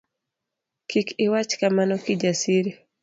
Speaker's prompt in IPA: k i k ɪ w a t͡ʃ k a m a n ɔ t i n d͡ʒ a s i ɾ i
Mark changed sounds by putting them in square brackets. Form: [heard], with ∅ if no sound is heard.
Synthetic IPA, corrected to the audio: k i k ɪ w a t͡ʃ k a m a n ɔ [k] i [∅] d͡ʒ a s i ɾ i